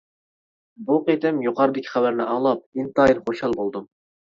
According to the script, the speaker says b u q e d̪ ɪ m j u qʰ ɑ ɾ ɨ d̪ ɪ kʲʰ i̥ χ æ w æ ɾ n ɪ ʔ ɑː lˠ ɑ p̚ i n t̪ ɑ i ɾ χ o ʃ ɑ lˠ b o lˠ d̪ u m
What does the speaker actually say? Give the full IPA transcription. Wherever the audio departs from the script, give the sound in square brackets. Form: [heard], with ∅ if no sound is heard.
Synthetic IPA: b u q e [t̪] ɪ m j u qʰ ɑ ɾ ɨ d̪ ɪ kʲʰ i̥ χ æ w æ ɾ n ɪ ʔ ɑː lˠ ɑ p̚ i n t̪ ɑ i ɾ χ o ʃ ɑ lˠ b o lˠ d̪ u m